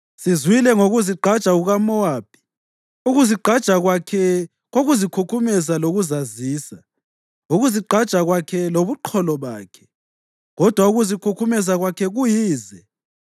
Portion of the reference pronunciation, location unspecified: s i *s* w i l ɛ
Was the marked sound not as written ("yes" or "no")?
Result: yes